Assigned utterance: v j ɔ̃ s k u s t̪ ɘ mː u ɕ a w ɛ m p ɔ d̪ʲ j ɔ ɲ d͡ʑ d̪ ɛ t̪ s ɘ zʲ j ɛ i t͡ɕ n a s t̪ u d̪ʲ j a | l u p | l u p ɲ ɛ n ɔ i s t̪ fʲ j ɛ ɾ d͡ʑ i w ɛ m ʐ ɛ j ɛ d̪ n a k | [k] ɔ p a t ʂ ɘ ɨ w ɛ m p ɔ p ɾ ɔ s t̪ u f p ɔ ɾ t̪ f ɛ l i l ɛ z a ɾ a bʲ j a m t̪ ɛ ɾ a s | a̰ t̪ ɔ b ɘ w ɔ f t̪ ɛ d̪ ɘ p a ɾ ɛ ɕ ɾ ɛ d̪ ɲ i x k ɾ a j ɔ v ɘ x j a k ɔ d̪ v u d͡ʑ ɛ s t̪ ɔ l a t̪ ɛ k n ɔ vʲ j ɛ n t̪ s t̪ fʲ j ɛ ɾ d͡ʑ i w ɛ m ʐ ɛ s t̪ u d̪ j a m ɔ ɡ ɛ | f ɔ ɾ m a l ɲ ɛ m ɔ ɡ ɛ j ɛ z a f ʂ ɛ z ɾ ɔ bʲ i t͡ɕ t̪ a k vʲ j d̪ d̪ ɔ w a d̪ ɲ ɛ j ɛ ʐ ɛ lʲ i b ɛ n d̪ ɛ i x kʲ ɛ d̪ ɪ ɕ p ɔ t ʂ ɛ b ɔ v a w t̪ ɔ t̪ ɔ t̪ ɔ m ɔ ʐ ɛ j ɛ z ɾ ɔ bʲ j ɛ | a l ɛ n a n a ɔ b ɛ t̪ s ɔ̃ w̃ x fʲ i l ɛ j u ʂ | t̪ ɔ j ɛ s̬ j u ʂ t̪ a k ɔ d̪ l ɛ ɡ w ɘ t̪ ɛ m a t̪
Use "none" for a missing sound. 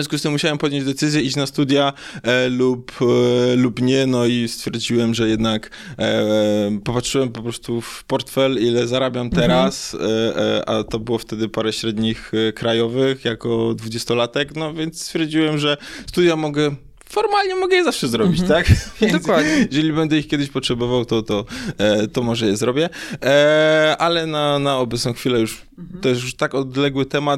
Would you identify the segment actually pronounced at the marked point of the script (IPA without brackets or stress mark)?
p